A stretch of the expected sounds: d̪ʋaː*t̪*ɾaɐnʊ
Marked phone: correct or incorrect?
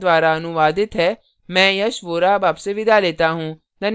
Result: incorrect: none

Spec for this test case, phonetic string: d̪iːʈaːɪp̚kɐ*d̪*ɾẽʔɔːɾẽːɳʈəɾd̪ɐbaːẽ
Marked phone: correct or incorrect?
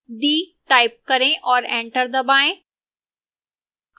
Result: incorrect: none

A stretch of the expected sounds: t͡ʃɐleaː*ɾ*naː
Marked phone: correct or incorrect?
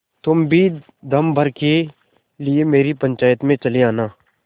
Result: incorrect: none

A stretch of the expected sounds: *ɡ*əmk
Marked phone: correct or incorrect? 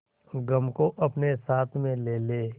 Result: correct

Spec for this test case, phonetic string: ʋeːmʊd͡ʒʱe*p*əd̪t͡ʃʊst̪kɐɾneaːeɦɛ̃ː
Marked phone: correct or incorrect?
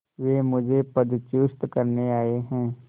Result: correct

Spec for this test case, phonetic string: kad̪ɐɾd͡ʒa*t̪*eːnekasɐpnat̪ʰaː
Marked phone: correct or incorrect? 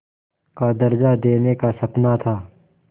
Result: incorrect: d̪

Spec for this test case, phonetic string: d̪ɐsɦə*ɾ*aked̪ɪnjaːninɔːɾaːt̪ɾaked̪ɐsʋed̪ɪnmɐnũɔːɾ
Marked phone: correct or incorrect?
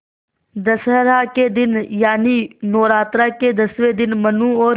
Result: correct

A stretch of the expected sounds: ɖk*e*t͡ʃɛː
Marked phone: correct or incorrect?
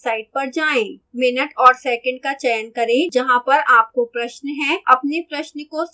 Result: incorrect: a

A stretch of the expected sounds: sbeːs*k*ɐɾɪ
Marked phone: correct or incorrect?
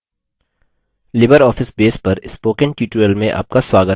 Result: incorrect: p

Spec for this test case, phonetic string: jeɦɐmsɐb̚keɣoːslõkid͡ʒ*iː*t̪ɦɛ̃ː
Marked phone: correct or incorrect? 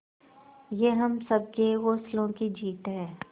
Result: correct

